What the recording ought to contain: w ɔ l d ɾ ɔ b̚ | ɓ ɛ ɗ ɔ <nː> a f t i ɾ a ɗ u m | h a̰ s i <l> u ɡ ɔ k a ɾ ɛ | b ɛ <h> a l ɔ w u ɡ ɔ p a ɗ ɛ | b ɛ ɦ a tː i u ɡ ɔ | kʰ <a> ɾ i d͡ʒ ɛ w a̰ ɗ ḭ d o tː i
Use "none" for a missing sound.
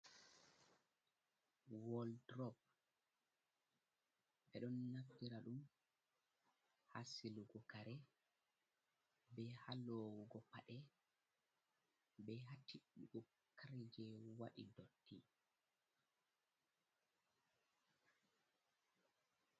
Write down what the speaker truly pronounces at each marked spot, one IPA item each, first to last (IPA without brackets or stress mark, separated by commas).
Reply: nː, l, h, a